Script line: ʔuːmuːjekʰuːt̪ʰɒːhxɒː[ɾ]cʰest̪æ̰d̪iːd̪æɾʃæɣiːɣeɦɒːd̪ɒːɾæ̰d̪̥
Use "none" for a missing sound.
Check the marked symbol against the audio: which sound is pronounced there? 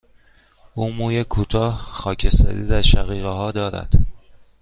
none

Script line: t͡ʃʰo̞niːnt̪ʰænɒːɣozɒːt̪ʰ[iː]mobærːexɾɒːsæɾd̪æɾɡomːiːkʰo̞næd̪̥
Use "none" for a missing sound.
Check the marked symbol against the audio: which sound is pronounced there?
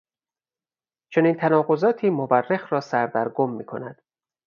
iː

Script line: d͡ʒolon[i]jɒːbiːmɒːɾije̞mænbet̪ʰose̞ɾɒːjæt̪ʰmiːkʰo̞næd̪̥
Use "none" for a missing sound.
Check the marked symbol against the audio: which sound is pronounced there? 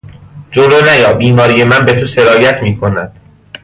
æ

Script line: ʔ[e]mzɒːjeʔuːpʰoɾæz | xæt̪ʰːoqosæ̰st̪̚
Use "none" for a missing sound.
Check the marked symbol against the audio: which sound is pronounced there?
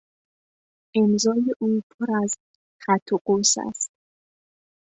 e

